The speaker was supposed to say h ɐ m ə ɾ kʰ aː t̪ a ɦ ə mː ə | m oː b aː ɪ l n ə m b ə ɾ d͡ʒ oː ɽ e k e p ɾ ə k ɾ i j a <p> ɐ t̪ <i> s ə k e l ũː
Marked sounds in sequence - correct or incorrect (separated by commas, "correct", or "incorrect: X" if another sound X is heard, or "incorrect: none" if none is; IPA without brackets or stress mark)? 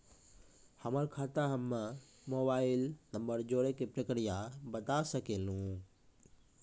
incorrect: b, incorrect: a